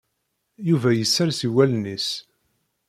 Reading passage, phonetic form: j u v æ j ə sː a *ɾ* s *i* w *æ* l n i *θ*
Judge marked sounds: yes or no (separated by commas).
yes, yes, yes, no